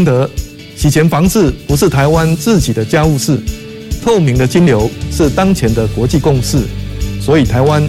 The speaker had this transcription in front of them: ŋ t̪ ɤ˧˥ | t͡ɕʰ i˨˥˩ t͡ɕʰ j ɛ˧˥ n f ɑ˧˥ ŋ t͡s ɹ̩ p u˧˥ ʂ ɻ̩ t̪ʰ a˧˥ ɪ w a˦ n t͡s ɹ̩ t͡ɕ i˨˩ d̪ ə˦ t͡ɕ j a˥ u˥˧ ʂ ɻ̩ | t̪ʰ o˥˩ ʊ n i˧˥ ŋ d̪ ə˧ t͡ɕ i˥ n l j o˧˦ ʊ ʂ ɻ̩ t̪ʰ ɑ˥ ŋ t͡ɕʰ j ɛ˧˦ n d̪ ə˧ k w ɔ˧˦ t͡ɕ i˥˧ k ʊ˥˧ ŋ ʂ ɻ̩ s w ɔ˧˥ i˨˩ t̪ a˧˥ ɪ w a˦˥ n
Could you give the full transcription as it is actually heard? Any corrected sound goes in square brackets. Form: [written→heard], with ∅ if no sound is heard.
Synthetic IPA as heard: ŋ t̪ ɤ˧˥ | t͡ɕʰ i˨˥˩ t͡ɕʰ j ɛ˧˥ n f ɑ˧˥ ŋ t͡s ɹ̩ p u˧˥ ʂ ɻ̩ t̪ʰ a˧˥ ɪ w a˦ n t͡s ɹ̩ t͡ɕ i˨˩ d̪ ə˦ t͡ɕ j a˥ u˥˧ ʂ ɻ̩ | t̪ʰ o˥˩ ʊ [n→m] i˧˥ ŋ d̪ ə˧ t͡ɕ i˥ n l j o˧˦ ʊ ʂ ɻ̩ [t̪ʰ→t̪] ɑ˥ ŋ t͡ɕʰ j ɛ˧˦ n d̪ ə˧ k w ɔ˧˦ t͡ɕ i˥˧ k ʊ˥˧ ŋ ʂ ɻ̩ s w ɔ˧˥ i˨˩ [t̪→t̪ʰ] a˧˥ ɪ w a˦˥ n